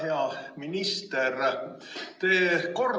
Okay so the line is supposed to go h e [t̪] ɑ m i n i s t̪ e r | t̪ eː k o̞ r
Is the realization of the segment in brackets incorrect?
yes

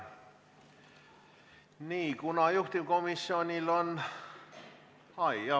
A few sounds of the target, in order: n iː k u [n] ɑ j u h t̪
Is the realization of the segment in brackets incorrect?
no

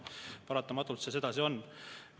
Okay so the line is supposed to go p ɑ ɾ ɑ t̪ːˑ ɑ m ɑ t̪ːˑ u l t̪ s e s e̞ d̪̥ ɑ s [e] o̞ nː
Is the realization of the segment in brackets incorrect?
yes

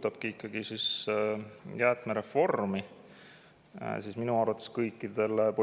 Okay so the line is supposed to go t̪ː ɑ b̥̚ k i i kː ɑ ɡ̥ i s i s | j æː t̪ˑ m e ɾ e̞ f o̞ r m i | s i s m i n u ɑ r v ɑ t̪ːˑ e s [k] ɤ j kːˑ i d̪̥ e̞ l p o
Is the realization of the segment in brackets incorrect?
no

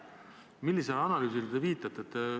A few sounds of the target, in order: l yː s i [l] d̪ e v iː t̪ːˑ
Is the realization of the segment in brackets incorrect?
no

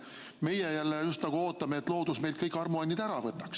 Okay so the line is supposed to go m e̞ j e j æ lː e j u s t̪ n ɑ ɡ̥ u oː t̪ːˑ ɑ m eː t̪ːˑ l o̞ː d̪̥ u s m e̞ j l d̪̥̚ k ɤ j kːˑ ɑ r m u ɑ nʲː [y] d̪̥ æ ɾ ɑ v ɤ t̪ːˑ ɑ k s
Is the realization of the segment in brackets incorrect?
yes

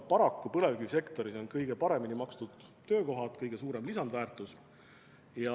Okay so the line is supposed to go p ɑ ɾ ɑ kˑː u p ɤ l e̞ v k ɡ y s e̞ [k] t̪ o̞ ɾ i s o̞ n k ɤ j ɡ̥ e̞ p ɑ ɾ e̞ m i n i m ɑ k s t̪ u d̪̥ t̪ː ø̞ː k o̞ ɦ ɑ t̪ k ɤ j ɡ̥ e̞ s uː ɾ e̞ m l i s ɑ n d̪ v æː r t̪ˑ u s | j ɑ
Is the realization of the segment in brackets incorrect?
no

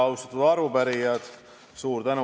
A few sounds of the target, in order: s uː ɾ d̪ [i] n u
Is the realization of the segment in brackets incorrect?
yes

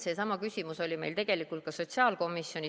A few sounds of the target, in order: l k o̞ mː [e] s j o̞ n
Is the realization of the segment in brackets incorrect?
yes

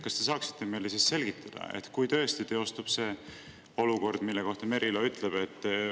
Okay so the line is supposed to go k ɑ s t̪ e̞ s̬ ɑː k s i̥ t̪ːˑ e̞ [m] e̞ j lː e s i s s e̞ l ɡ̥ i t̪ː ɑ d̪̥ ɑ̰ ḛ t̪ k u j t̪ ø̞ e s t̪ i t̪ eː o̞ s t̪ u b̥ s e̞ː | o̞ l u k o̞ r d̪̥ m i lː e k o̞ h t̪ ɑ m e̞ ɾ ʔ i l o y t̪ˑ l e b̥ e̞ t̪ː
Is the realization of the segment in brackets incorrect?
no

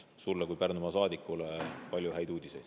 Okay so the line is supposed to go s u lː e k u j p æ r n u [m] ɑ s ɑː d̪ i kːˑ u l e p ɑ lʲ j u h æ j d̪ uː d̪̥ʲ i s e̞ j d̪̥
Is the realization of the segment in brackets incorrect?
no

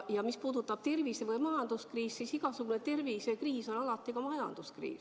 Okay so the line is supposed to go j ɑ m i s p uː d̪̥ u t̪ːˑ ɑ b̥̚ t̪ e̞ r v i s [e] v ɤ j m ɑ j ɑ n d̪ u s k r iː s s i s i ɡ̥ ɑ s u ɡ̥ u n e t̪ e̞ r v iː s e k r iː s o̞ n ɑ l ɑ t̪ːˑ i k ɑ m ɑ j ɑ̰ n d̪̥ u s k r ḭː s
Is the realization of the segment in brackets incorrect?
no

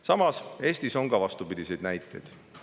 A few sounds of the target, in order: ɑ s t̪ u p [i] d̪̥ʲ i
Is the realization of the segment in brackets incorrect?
no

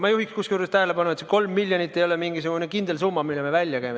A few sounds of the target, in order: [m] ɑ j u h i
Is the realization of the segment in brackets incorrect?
no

